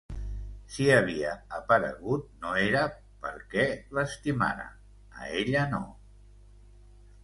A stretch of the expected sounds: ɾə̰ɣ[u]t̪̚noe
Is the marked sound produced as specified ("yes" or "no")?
yes